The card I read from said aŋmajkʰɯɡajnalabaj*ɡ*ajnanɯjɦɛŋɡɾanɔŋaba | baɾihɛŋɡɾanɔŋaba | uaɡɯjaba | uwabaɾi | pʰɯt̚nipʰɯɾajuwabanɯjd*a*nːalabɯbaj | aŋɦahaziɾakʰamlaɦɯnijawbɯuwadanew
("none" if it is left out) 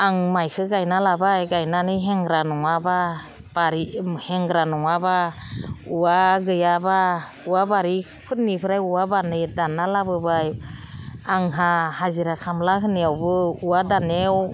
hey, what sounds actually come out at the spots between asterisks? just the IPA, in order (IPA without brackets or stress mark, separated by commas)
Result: ɡ, a